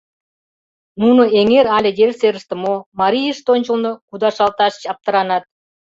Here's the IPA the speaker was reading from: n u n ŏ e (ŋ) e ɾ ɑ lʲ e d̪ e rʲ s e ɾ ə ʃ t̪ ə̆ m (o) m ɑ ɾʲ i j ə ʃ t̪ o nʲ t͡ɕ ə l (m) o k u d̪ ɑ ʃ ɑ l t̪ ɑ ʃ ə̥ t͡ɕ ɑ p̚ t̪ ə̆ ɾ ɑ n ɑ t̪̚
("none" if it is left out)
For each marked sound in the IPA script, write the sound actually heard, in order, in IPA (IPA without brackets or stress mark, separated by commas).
ŋ, o, n